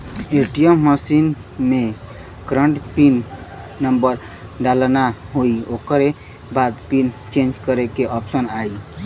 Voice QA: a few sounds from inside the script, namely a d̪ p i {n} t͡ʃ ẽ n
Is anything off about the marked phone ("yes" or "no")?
no